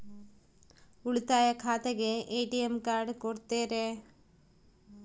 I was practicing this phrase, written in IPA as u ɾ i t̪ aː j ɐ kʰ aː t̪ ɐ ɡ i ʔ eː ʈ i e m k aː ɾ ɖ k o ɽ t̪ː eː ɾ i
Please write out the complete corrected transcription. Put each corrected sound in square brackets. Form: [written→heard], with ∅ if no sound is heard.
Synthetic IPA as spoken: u [ɾ→ɭ] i t̪ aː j ɐ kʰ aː t̪ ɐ ɡ [i→e] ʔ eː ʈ i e m k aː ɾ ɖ k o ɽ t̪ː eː ɾ [i→e]